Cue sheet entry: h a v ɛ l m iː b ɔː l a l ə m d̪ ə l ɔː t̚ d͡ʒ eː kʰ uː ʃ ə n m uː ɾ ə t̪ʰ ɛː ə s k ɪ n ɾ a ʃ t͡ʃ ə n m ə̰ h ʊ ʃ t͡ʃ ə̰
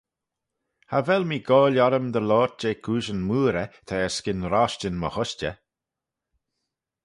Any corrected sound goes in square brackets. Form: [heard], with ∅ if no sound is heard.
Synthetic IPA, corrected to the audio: h a v ɛ l m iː [ɡ] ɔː l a [ɾ] ə m d̪ ə l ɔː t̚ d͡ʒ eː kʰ uː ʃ ə n m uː ɾ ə t̪ʰ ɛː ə s k ɪ n ɾ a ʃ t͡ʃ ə n m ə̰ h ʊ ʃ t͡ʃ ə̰